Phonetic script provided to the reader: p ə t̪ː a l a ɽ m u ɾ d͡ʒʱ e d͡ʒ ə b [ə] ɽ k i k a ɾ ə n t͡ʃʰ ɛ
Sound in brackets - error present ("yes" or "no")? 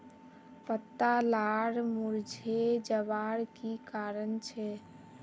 yes